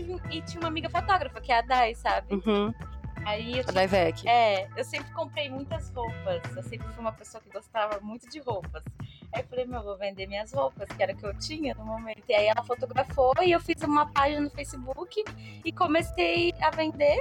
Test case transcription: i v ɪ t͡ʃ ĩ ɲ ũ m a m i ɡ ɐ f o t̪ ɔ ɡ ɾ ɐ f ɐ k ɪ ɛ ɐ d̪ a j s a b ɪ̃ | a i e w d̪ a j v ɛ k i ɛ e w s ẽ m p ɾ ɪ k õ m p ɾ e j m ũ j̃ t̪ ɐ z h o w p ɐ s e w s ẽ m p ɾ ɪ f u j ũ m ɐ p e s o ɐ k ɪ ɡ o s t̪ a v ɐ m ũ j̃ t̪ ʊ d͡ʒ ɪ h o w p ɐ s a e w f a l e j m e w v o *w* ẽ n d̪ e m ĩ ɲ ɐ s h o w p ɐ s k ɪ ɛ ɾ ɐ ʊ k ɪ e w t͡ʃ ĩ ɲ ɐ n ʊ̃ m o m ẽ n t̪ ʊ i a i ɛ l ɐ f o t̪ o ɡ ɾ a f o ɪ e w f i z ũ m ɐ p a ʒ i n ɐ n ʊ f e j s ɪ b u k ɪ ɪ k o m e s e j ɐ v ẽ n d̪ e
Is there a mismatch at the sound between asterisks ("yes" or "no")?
yes